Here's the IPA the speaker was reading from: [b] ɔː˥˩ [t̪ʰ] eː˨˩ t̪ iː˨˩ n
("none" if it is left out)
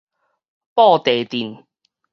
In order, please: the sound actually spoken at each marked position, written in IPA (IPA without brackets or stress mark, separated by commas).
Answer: p, t̪